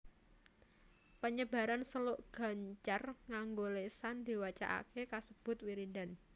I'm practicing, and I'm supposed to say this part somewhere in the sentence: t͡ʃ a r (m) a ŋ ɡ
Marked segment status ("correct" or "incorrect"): incorrect